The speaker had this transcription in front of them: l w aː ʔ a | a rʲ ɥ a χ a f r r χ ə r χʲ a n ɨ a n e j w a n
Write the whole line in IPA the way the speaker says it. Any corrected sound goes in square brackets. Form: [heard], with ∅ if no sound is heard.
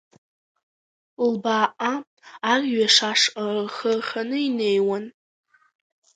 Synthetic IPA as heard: l [b] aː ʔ a | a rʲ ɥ a [ʂ] a [ʂ] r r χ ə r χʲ a n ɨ [i] n e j w a n